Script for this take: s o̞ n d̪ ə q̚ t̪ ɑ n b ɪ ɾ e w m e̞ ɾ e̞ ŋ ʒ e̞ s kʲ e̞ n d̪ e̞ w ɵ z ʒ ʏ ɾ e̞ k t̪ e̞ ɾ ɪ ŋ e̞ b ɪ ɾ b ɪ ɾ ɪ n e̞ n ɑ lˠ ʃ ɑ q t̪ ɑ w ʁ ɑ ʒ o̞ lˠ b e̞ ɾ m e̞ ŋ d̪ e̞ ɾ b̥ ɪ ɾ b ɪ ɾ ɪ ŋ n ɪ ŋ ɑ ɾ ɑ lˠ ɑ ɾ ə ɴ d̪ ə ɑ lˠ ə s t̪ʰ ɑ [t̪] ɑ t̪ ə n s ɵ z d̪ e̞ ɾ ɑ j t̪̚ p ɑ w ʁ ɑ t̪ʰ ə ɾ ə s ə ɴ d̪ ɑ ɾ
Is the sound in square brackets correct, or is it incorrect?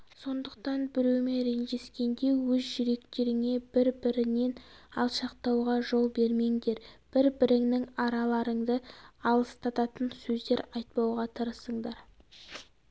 correct